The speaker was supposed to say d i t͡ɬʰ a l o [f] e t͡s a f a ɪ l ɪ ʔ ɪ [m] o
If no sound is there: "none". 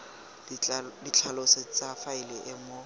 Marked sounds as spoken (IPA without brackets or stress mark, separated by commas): s, m